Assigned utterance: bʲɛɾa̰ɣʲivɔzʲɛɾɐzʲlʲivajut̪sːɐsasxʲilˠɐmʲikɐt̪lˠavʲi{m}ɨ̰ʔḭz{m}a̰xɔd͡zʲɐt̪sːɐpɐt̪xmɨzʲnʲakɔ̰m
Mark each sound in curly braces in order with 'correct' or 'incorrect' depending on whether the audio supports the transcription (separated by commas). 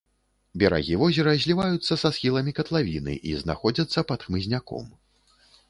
incorrect, incorrect